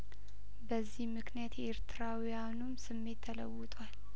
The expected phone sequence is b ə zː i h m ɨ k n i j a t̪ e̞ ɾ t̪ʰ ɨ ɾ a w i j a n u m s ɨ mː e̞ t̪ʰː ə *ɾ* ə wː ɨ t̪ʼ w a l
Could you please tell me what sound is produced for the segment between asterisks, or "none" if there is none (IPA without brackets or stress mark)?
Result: l